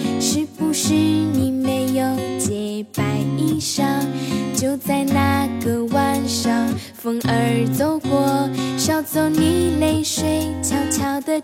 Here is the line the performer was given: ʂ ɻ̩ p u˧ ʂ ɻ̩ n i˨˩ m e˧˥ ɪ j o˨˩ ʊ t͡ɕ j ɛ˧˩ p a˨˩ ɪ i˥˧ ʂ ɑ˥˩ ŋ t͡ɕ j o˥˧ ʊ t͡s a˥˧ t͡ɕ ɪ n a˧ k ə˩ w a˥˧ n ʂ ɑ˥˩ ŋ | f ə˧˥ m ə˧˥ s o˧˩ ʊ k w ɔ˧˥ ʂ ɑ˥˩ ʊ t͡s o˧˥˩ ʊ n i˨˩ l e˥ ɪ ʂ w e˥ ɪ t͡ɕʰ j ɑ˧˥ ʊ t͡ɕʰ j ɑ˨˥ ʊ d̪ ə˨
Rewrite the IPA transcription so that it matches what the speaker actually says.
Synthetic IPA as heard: ʂ ɻ̩ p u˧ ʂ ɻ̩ n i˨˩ m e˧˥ ɪ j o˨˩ ʊ t͡ɕ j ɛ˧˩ p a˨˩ ɪ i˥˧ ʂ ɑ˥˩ ŋ t͡ɕ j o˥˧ ʊ t͡s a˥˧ ɪ n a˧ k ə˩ w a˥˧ n ʂ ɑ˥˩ ŋ | f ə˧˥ ŋ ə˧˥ t͡s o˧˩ ʊ k w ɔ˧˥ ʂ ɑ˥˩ ʊ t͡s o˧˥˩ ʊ n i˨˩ l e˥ ɪ ʂ w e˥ ɪ t͡ɕʰ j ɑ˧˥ ʊ t͡ɕʰ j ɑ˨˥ ʊ d̪ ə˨